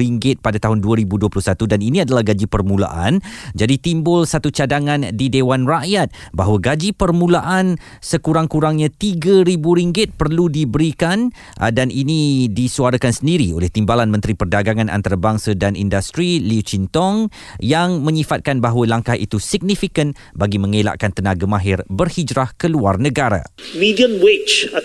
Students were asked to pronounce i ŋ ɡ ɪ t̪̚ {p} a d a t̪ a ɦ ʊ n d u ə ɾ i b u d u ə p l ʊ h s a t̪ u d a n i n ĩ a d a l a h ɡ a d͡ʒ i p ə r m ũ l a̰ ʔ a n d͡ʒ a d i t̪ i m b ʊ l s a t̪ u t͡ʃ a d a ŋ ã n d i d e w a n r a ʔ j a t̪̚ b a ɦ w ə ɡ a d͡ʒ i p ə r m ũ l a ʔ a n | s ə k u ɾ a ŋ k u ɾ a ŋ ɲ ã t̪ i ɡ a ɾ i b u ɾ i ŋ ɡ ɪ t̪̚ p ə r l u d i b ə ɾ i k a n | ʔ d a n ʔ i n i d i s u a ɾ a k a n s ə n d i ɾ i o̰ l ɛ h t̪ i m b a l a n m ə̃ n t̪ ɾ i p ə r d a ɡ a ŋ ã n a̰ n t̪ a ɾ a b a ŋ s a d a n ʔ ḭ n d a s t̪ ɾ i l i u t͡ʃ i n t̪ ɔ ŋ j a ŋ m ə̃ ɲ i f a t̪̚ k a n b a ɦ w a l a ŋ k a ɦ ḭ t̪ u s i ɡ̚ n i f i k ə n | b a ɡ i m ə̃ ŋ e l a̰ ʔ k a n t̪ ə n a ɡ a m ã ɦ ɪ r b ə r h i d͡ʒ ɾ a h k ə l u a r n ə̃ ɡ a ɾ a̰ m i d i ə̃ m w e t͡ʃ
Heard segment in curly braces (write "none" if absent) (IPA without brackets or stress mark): p